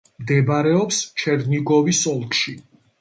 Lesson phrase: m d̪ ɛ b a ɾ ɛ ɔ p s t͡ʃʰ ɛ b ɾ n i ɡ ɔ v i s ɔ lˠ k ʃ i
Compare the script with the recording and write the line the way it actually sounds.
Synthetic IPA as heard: m d̪ ɛ b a ɾ ɛ ɔ p s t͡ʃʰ ɛ ɾ n i ɡ ɔ v i s ɔ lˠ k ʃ i